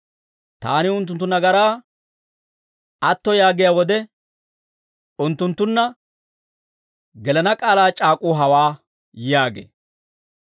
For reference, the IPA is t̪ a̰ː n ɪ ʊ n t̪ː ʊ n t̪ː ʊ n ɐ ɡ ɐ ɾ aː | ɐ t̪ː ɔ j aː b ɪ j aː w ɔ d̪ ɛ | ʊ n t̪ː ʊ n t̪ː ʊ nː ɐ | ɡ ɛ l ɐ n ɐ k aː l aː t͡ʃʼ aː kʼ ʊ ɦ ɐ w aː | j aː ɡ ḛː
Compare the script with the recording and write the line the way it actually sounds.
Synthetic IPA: t̪ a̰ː n ɪ ʊ n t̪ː ʊ n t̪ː ʊ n ɐ ɡ ɐ ɾ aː | ɐ t̪ː ɔ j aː ɡ ɪ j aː w ɔ d̪ ɛ | ʊ n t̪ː ʊ n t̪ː ʊ nː ɐ | ɡ ɛ l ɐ n ɐ kʼ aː l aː t͡ʃʼ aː kʼ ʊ ɦ ɐ w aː | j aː ɡ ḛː